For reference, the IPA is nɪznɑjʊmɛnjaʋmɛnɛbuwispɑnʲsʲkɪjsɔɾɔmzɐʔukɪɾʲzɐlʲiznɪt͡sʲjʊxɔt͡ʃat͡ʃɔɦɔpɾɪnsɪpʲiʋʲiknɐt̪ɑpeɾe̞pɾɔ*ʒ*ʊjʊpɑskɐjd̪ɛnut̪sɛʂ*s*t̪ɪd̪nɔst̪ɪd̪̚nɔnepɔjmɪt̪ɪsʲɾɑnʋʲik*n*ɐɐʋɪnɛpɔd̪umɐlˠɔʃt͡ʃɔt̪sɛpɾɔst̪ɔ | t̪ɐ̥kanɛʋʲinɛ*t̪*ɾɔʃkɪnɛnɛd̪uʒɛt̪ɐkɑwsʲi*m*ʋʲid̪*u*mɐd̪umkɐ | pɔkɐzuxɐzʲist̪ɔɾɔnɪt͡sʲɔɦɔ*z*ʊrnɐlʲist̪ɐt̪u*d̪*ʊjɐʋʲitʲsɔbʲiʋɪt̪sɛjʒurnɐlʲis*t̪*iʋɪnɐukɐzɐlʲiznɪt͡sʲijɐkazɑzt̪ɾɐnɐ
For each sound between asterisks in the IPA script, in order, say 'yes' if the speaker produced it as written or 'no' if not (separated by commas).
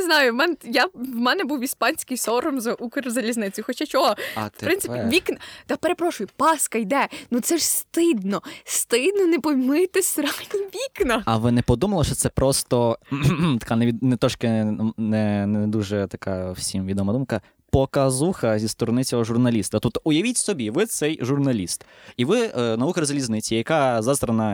no, yes, yes, yes, yes, no, no, no, yes